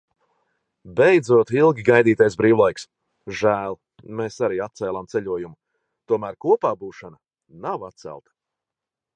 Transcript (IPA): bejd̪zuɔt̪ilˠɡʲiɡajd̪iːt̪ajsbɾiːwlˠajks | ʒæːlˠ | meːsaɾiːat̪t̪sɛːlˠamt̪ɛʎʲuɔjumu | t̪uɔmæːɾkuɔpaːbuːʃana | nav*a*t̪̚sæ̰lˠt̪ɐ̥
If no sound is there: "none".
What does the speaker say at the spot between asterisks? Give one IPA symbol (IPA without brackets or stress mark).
a